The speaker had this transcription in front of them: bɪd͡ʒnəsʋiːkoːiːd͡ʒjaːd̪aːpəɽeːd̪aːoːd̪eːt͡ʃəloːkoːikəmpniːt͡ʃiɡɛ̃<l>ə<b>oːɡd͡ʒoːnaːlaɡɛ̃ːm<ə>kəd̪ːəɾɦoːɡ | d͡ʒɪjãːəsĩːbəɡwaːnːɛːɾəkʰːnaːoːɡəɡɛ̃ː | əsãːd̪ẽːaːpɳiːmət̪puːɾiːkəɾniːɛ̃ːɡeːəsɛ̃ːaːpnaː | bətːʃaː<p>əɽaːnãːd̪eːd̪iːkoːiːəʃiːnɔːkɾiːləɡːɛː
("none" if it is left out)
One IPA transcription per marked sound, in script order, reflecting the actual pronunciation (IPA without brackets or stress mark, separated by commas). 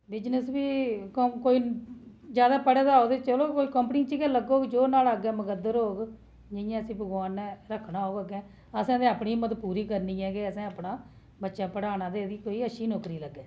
l, ɡ, ə, p